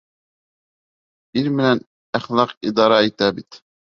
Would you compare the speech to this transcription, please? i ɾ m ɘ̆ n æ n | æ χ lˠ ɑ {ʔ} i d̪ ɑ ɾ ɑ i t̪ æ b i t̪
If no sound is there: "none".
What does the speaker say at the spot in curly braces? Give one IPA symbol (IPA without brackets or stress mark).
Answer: q